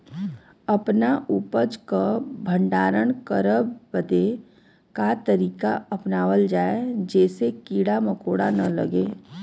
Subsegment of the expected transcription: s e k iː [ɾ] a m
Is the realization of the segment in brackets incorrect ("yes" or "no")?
yes